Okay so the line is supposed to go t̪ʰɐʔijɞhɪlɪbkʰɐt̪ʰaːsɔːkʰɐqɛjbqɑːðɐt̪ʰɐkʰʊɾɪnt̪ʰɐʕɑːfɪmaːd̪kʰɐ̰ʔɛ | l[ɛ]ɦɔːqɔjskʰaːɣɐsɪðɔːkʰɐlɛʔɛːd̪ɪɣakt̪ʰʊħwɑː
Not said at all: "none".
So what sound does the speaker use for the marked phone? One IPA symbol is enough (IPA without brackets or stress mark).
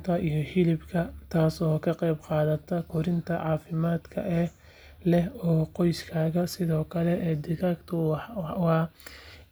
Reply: ɛ